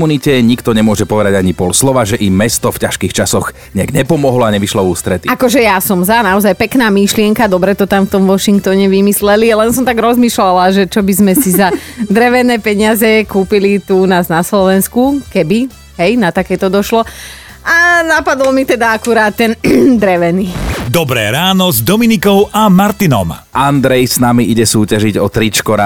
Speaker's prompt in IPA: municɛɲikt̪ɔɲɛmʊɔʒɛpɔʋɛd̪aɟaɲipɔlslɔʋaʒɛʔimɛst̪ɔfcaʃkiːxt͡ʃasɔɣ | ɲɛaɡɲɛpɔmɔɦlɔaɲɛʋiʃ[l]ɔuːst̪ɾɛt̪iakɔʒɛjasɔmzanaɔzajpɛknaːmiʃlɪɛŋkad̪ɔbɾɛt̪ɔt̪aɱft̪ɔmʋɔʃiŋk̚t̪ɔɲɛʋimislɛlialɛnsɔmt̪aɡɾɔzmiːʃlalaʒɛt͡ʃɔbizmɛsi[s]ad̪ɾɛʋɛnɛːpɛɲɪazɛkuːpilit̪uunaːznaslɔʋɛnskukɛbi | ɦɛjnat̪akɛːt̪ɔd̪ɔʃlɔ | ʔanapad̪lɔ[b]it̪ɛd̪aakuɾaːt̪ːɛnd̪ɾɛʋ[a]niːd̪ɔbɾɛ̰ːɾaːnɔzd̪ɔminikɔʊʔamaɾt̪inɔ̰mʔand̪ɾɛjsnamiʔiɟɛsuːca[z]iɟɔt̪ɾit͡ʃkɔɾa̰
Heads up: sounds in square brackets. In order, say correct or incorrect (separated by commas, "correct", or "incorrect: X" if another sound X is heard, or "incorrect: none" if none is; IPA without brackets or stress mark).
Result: correct, incorrect: z, incorrect: m, incorrect: ɛ, incorrect: ʒ